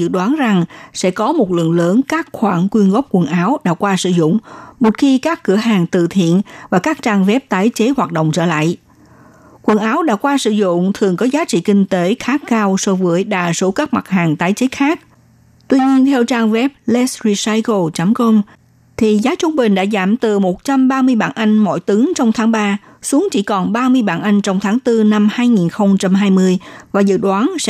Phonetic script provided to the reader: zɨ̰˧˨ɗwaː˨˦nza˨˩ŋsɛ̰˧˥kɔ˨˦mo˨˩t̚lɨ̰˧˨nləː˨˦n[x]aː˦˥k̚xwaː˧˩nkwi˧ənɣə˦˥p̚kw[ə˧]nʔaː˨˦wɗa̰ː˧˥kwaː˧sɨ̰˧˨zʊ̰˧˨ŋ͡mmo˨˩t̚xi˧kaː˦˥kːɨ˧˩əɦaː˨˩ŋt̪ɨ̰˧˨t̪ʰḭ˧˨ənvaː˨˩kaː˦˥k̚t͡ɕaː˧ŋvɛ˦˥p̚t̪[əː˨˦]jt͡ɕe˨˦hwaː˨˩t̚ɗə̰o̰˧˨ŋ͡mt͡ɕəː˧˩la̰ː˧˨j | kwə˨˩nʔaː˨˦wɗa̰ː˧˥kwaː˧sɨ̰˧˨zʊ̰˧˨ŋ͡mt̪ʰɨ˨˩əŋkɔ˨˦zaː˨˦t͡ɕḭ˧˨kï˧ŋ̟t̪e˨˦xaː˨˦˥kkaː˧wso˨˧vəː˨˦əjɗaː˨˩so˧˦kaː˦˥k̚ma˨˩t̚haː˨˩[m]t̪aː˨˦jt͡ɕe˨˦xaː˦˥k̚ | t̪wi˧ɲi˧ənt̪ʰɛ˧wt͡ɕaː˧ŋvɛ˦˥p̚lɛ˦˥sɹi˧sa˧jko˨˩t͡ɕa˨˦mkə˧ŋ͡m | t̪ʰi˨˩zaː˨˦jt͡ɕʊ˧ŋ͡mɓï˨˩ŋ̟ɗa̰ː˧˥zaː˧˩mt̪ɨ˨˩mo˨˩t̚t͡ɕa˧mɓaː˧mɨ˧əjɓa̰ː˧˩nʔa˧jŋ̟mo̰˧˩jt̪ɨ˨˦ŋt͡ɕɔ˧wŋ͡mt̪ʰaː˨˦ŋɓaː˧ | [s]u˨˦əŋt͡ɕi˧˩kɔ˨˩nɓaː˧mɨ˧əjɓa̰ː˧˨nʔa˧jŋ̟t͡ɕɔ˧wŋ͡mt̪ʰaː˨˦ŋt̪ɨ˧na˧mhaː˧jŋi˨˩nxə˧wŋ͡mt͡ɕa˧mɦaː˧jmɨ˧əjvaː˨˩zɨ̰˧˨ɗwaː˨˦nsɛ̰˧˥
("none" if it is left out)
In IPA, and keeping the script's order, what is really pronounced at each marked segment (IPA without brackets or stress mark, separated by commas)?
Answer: k, ə˨˩, aː˨˦, ŋ, s